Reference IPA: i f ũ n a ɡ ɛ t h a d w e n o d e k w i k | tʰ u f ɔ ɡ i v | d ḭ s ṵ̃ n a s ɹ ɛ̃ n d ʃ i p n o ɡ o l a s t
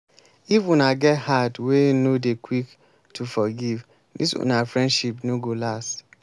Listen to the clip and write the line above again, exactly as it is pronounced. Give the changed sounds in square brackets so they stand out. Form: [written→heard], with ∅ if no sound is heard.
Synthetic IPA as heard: i f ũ n a ɡ ɛ t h a d w e n o d e k w i k | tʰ u f ɔ ɡ i v | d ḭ s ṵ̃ n a [s→f] ɹ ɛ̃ n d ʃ i p n o ɡ o l a s t